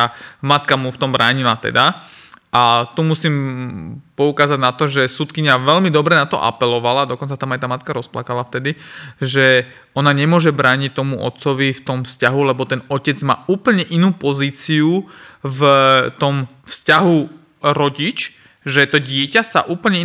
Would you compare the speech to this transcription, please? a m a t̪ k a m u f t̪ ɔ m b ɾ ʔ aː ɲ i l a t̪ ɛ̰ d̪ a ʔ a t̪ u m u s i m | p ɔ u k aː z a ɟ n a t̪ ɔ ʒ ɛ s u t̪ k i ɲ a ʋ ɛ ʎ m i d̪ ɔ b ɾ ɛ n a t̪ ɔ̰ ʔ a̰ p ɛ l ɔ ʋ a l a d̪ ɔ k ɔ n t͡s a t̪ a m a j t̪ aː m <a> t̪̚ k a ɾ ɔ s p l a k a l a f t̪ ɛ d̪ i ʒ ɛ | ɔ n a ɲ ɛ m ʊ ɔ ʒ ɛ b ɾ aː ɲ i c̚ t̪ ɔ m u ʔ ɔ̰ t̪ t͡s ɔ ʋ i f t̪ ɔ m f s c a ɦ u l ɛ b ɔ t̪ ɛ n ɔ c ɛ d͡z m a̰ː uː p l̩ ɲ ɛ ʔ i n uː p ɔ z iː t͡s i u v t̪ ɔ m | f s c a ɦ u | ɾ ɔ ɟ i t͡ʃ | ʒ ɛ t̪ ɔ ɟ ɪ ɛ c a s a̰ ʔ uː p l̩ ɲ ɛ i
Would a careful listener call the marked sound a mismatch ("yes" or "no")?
no